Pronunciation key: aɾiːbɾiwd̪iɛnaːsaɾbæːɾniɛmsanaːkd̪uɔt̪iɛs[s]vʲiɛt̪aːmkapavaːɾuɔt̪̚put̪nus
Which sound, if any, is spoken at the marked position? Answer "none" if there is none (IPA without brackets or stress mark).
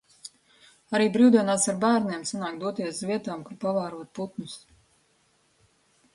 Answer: z